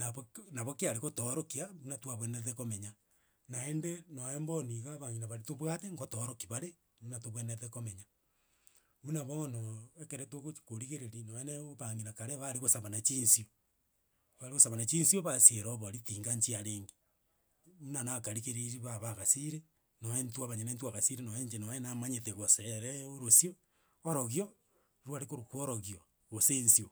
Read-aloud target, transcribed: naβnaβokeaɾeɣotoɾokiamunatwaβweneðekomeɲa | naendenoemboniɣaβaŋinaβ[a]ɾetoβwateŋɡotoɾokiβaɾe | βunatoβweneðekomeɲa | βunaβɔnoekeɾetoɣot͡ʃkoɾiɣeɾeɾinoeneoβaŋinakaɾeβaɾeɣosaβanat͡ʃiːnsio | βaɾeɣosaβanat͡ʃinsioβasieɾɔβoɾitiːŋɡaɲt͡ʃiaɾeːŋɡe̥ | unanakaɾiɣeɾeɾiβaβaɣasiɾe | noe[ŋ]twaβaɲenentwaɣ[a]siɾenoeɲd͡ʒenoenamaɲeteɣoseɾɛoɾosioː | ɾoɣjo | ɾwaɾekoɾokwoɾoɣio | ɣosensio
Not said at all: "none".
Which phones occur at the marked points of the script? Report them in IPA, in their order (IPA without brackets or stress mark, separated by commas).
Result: a, n, a